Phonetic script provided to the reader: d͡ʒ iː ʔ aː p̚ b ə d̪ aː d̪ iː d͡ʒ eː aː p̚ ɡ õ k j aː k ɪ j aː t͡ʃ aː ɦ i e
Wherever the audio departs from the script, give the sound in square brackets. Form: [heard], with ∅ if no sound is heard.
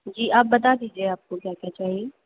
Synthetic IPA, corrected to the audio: d͡ʒ iː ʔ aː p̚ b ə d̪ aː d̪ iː d͡ʒ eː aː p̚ [k] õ k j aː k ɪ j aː t͡ʃ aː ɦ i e